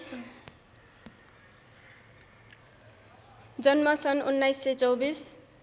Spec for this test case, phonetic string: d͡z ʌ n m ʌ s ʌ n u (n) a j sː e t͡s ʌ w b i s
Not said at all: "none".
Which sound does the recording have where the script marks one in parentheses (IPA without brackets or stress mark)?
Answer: nː